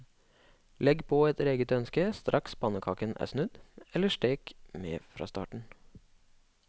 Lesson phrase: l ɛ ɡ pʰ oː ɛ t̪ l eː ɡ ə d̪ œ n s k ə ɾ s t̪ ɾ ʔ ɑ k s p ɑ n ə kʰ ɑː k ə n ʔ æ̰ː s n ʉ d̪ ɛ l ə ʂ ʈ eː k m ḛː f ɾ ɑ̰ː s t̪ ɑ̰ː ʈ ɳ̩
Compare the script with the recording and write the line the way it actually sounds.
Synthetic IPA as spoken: l ɛ ɡ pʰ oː ɛ t̪ ɾ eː ɡ ə t̪ œ n s k ə s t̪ ɾ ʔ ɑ k s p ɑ n ə kʰ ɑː k ə n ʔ æ̰ː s n ʉ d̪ ɛ l ə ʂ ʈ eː k m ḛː f ɾ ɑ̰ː s t̪ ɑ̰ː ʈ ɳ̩